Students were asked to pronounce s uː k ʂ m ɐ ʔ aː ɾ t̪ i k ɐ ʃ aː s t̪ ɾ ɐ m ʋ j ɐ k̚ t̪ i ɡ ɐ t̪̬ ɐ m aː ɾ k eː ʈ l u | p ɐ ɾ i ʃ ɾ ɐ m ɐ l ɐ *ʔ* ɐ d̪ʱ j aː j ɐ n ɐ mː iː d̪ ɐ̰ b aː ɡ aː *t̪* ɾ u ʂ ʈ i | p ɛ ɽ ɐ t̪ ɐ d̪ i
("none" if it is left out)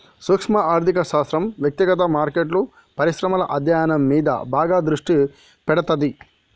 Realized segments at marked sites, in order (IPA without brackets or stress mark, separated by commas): ʔ, d̪